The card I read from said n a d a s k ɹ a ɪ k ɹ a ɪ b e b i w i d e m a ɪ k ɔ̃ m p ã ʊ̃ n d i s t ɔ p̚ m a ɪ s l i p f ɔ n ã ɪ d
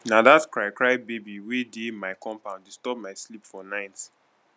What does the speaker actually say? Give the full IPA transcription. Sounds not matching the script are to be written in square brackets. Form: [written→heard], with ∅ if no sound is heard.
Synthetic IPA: n a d a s k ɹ a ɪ k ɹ a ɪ b e b i w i d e m a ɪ k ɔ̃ m p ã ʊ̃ n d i s t ɔ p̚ m a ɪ s l i p f ɔ n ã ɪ [d→t]